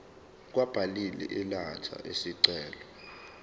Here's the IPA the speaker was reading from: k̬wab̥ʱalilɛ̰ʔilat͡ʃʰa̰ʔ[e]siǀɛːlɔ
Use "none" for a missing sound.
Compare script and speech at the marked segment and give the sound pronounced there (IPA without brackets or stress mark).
e